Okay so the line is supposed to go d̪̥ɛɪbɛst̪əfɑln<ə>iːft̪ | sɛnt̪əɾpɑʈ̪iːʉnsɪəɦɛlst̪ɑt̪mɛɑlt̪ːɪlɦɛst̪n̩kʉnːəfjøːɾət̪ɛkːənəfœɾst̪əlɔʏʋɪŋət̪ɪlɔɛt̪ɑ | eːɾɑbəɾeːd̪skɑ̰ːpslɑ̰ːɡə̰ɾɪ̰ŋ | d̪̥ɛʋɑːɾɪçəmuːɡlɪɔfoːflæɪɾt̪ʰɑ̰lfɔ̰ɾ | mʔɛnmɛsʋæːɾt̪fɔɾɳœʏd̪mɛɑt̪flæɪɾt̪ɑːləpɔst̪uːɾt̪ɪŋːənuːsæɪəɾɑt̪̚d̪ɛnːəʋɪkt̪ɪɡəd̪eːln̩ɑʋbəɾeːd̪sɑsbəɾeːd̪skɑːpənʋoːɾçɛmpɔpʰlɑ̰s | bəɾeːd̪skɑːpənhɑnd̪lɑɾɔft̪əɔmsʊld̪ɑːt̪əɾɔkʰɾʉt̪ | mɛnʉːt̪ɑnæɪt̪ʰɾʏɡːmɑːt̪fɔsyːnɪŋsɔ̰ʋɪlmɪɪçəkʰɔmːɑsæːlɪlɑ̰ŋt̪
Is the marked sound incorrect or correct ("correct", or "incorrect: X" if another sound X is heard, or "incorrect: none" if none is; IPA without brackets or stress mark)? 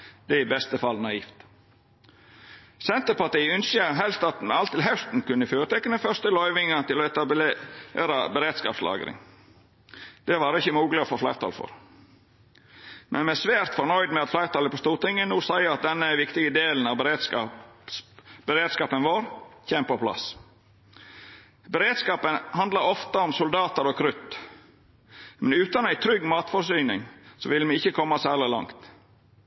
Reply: incorrect: ɑ